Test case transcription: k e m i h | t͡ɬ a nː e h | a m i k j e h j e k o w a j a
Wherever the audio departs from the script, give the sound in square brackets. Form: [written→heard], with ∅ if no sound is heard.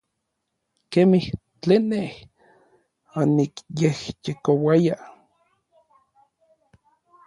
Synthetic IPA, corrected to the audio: k e m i h | t͡ɬ [a→e] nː e h | a [m→n] i k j e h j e k o w a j a